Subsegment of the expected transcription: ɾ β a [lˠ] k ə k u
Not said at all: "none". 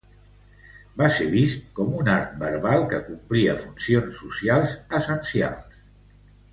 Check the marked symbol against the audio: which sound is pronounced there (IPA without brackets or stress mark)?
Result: lˠ